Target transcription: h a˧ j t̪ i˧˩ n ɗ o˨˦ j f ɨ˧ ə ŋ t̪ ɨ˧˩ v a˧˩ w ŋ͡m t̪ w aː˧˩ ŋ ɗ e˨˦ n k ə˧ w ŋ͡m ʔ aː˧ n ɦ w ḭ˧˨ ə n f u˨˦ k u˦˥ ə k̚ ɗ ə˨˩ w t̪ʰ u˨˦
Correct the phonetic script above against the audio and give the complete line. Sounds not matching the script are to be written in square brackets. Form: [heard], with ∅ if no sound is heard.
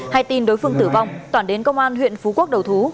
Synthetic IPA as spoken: h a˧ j t̪ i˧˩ n ɗ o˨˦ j f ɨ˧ ə ŋ t̪ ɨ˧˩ v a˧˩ w ŋ͡m t̪ w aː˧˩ [n] ɗ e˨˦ n k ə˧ w ŋ͡m ʔ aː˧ n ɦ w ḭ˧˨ ə n f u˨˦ k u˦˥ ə k̚ ɗ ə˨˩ w t̪ʰ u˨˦